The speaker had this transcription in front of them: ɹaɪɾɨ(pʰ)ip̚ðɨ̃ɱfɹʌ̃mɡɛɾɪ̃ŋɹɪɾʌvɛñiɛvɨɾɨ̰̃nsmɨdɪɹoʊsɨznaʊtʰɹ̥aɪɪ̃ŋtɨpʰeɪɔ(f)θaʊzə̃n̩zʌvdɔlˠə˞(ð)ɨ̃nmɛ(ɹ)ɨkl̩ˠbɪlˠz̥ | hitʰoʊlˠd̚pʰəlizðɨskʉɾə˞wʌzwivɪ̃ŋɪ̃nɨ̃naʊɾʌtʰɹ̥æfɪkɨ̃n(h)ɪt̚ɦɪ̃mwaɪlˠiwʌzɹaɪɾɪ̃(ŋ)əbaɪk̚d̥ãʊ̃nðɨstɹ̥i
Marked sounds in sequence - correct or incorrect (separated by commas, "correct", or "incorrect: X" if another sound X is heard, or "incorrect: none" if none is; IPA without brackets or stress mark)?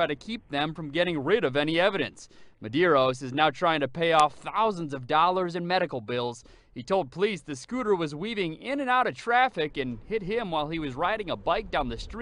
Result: incorrect: kʰ, correct, incorrect: z, incorrect: ɾ, correct, correct